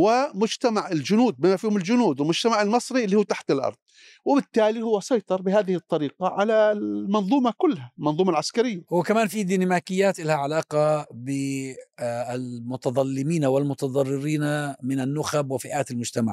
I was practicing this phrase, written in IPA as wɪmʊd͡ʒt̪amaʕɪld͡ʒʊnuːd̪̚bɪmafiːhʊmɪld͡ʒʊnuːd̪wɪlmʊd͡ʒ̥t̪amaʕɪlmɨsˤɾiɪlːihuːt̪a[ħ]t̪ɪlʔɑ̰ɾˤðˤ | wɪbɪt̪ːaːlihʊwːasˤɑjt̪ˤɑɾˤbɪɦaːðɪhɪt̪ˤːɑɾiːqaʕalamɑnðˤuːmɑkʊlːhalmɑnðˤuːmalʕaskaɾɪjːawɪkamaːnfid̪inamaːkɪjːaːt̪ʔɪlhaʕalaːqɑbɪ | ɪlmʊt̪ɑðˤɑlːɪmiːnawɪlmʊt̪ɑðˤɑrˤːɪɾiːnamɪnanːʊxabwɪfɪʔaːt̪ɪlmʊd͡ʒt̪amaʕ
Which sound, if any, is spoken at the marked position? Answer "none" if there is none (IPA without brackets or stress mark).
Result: ħ